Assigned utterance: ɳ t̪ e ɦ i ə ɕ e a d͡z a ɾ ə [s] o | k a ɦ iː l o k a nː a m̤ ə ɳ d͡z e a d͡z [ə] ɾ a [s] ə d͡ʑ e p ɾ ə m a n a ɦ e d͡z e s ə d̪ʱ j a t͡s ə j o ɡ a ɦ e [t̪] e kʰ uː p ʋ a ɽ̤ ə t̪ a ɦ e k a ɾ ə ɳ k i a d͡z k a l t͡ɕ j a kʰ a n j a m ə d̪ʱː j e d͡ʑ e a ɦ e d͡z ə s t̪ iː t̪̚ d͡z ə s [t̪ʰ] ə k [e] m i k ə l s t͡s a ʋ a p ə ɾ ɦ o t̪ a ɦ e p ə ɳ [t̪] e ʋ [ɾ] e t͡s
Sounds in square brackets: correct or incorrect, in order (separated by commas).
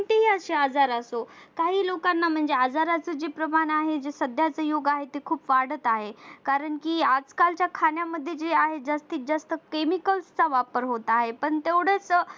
correct, incorrect, incorrect, correct, incorrect, correct, correct, incorrect